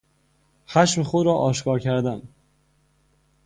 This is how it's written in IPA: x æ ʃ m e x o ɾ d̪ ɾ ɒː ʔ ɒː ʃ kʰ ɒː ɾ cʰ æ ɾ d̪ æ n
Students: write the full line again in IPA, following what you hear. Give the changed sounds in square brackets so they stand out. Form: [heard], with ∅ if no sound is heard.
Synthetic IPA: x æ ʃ m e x o [∅] d̪ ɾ ɒː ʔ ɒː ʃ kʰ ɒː ɾ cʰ æ ɾ d̪ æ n